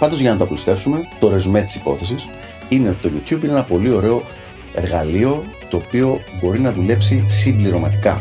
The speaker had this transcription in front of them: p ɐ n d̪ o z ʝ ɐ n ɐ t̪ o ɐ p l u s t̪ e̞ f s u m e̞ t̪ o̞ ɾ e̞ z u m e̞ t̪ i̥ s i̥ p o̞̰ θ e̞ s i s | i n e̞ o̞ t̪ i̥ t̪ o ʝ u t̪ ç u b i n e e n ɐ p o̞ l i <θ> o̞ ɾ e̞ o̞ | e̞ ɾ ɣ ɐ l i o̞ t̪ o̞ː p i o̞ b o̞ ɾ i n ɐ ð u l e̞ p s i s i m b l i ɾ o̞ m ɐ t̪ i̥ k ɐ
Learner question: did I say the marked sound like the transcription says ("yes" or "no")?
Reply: no